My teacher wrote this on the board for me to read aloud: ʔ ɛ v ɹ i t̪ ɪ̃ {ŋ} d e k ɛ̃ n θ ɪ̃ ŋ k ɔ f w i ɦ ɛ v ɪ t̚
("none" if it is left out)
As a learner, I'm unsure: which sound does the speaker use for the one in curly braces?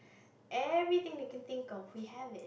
ŋ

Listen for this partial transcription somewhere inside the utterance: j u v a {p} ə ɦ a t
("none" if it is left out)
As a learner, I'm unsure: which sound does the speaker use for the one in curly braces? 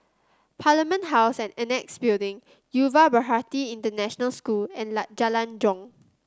b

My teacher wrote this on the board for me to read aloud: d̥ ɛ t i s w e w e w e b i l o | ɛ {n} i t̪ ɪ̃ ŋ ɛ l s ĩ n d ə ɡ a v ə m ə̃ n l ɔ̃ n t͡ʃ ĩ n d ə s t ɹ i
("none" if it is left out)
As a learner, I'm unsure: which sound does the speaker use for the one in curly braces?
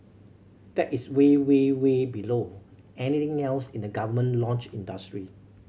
n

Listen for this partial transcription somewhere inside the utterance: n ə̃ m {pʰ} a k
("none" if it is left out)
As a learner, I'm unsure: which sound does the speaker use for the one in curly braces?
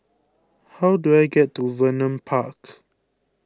pʰ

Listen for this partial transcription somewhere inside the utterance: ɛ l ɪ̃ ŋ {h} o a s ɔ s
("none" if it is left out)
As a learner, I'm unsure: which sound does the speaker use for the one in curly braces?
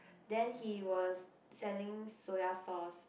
s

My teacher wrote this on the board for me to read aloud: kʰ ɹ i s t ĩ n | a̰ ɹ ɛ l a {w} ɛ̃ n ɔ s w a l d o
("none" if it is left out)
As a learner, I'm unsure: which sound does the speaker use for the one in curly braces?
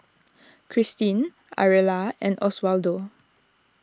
none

